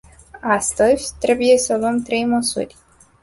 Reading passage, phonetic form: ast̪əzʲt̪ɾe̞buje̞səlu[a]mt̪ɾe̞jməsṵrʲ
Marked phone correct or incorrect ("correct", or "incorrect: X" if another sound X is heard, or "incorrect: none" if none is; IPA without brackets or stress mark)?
incorrect: ə